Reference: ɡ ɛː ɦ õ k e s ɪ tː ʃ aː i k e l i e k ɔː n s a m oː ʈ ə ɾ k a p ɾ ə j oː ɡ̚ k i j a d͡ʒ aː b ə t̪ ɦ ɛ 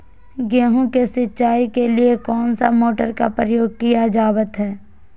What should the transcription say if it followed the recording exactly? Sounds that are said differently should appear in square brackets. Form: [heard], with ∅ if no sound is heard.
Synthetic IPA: ɡ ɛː ɦ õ k e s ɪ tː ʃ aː i k e l i e k ɔː n s a m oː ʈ ə ɾ k a p ɾ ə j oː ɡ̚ k i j a d͡ʒ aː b ə t̪ ɦ [ɛː]